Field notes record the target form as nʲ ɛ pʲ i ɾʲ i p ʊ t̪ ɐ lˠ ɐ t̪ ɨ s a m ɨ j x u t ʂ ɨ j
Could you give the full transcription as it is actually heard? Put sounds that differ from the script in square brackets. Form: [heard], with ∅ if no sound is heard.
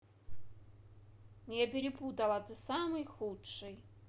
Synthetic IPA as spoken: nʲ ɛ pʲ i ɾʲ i p [u] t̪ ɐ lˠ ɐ t̪ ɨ s a m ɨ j x u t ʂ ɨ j